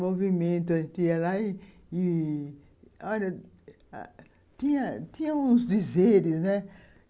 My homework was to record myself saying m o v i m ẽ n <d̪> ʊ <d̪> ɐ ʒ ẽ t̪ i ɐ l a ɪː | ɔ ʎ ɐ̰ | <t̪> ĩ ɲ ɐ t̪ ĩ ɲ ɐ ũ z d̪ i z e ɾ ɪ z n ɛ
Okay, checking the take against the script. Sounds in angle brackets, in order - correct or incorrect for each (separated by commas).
incorrect, incorrect, correct